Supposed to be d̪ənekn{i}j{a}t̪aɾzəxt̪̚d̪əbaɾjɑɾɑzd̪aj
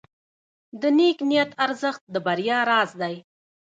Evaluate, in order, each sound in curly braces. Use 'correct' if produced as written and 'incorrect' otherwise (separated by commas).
correct, correct